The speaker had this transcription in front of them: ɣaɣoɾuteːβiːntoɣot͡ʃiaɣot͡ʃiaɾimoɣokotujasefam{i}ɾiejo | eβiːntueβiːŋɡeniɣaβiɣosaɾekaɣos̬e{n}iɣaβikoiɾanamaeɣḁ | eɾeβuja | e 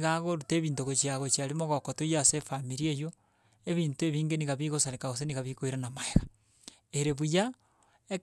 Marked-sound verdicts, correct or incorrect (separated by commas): correct, correct